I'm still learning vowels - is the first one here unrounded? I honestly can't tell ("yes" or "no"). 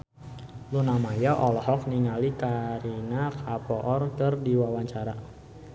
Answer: no